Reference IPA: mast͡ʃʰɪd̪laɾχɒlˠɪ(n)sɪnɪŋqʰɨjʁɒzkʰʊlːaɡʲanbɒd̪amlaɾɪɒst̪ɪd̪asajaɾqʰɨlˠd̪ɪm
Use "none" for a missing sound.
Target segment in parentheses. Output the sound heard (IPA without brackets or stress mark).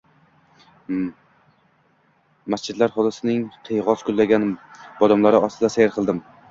none